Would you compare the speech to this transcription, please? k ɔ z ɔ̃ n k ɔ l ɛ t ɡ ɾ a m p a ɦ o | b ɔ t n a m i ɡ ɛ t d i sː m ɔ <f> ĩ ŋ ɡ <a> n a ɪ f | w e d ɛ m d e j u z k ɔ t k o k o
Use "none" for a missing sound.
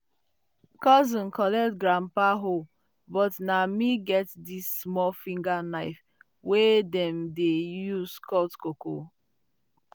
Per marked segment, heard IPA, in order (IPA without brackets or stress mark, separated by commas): f, a